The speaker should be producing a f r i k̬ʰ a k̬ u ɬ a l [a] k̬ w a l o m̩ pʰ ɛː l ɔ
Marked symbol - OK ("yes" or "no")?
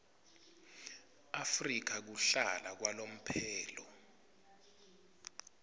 yes